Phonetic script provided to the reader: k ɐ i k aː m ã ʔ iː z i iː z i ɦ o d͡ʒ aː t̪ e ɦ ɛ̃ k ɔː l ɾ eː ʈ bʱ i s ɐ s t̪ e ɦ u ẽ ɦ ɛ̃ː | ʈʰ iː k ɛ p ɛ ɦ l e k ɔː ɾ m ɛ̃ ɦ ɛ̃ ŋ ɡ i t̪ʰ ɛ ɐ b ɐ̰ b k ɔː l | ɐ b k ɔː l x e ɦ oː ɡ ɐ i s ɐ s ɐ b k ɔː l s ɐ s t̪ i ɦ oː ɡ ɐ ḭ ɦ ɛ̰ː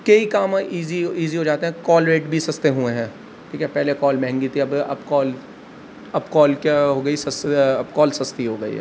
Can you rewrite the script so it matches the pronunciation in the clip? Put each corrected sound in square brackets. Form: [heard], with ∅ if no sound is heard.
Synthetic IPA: k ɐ i k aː m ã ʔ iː z i iː z i ɦ o d͡ʒ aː t̪ e ɦ ɛ̃ k ɔː l ɾ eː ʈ bʱ i s ɐ s t̪ e ɦ u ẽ ɦ ɛ̃ː | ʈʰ iː k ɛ p ɛ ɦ l e k ɔː [l] m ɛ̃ ɦ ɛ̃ ŋ ɡ i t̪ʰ [i] ɐ b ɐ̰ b k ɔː l | ɐ b k ɔː l [k] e ɦ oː ɡ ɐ i s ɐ s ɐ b k ɔː l s ɐ s t̪ i ɦ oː ɡ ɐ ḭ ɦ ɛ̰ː